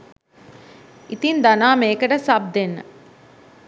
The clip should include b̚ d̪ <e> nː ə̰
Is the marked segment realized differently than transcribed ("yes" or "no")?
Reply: no